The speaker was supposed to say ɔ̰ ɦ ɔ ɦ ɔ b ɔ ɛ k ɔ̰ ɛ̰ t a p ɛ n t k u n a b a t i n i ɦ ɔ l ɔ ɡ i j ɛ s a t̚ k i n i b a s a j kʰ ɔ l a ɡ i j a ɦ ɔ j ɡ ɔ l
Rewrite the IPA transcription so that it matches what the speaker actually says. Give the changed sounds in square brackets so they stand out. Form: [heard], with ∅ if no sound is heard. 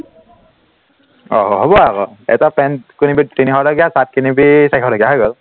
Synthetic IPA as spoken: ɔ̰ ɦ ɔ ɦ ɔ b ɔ [a] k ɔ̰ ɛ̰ t a p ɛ n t k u n [i] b [i] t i n i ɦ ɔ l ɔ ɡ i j [a] s a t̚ k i n i b [i] s a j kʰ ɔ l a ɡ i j a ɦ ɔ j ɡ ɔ l